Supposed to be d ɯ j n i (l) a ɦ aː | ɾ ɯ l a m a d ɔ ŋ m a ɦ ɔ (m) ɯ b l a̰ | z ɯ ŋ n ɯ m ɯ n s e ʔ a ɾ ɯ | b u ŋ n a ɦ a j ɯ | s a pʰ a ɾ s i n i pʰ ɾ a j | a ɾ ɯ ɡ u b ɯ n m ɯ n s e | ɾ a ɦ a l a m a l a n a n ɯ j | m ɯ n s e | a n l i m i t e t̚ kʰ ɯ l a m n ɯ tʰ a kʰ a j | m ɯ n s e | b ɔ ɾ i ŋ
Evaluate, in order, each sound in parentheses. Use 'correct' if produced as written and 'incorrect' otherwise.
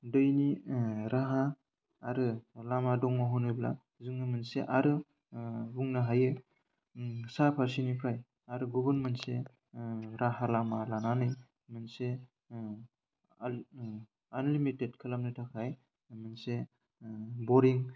incorrect: ɾ, incorrect: n

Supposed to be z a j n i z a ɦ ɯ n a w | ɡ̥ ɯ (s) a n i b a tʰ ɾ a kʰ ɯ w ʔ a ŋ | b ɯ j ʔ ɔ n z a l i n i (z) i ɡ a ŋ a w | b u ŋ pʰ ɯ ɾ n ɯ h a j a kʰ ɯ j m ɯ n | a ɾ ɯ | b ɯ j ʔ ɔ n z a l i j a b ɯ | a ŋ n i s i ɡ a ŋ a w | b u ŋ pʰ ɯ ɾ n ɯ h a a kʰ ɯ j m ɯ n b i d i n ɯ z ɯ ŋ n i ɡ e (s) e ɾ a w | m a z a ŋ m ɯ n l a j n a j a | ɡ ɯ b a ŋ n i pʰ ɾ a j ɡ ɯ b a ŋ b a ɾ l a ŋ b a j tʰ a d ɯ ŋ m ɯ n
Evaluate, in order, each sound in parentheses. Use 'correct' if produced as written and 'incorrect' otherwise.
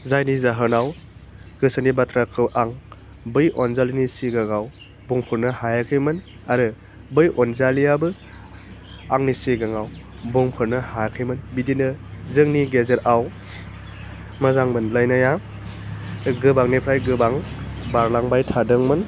correct, incorrect: s, incorrect: z

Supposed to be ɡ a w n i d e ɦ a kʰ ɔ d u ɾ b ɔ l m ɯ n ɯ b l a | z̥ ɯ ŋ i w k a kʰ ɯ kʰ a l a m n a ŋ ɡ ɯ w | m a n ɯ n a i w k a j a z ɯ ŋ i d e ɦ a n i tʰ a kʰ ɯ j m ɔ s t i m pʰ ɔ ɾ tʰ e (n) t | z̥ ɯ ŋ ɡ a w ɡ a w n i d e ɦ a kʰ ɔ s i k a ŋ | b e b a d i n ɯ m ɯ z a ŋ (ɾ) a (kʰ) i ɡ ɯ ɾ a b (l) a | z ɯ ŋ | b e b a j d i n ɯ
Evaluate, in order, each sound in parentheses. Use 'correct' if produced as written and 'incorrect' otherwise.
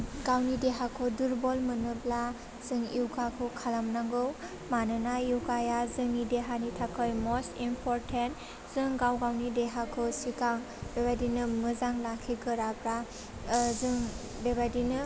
correct, incorrect: l, correct, incorrect: ɾ

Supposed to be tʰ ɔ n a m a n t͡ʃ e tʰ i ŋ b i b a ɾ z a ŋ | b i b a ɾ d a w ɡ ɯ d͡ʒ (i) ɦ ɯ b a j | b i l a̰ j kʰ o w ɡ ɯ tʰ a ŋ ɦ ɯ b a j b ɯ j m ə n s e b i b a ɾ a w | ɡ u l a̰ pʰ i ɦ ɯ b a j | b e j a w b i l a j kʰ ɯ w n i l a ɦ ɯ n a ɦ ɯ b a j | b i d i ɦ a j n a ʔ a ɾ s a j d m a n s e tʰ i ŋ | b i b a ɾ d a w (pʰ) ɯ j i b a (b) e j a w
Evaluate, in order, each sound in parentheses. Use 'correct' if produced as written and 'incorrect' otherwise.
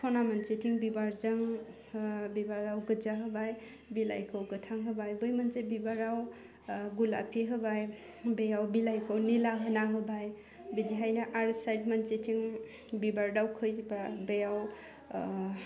incorrect: a, incorrect: kʰ, correct

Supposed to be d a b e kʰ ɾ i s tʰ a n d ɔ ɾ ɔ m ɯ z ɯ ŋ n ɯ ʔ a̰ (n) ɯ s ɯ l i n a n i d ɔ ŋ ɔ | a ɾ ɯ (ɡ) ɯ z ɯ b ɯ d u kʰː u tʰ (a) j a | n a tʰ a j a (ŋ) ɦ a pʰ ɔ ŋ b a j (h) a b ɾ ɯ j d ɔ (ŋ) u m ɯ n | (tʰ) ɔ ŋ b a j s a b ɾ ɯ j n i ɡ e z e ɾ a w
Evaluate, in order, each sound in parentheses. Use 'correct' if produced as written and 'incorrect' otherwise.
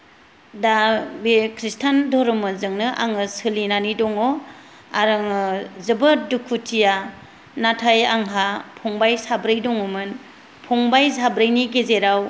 incorrect: ŋ, incorrect: ŋ, incorrect: i, correct, incorrect: s, correct, incorrect: pʰ

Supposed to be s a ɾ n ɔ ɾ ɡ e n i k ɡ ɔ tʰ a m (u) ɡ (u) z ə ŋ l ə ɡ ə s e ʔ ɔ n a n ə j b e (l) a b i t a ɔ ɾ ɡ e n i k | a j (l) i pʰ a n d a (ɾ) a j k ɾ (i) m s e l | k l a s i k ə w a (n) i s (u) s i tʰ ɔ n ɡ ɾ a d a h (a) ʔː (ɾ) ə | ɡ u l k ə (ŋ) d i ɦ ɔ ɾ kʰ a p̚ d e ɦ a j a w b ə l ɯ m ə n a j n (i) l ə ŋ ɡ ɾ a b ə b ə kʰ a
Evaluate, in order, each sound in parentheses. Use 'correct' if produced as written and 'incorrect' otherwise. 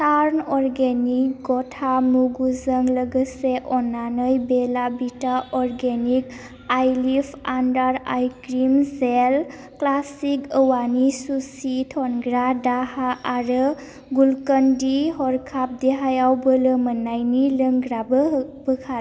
correct, correct, correct, correct, correct, correct, correct, correct, correct, correct, incorrect: n, correct

